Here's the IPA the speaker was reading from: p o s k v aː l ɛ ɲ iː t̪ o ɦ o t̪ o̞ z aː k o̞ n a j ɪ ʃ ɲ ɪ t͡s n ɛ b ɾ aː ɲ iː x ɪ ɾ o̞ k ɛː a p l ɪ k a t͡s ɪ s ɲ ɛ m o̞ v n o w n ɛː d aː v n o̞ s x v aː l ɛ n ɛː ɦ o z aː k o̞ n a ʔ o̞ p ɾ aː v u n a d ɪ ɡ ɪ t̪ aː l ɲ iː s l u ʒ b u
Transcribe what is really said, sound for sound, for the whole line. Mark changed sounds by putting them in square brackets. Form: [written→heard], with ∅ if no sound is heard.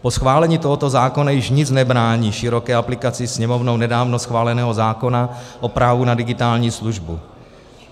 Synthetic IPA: p o s [k→x] v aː l ɛ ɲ iː t̪ o ɦ o t̪ o̞ z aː k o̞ n a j ɪ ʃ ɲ ɪ t͡s n ɛ b ɾ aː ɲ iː [x→ʃ] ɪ ɾ o̞ k ɛː a p l ɪ k a t͡s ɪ s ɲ ɛ m o̞ v n o w n [ɛː→ɛ] d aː v n o̞ s x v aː l ɛ n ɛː ɦ o z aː k o̞ n a ʔ o̞ p ɾ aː v u n a d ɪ ɡ ɪ t̪ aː l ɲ iː s l u ʒ b u